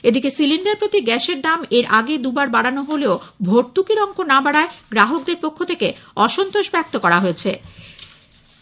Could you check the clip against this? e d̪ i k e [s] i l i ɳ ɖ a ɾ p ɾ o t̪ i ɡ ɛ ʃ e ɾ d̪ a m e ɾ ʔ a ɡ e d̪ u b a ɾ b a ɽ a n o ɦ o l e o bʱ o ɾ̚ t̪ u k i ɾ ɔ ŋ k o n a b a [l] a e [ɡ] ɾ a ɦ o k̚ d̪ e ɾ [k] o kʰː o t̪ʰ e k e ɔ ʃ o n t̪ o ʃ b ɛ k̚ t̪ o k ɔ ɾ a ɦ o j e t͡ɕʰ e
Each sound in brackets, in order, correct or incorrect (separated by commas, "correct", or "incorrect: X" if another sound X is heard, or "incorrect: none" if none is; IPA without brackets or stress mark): correct, incorrect: ɽ, correct, incorrect: p